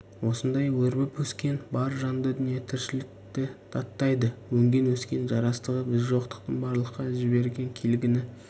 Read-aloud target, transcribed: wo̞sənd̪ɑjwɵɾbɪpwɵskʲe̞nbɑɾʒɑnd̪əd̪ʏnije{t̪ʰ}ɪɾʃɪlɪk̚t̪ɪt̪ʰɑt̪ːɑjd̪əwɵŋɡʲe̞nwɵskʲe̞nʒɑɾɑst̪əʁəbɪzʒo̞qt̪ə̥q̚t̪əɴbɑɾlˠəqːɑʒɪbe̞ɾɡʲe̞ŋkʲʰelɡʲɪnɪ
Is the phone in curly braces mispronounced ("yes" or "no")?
no